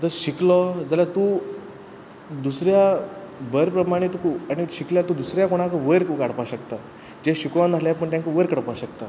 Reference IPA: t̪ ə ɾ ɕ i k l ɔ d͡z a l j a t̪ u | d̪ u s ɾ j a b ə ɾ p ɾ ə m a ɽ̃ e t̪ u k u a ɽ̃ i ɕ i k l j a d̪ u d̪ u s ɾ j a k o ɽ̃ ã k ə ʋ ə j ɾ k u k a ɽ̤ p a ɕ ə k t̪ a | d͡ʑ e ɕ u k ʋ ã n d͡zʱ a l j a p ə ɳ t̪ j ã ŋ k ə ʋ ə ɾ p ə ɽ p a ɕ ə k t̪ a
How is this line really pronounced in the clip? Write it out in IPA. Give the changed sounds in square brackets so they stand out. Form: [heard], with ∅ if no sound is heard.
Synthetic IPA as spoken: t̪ ə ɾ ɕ i k l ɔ d͡z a l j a t̪ u | d̪ u s ɾ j a b ə ɾ p ɾ ə m a ɽ̃ e t̪ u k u a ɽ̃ i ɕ i k l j a [t̪] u d̪ u s ɾ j a k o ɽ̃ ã k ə ʋ ə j ɾ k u k a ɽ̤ p a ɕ ə k t̪ a | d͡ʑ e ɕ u k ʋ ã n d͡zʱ a l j a p ə ɳ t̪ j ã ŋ k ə ʋ ə ɾ [k] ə ɽ p a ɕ ə k t̪ a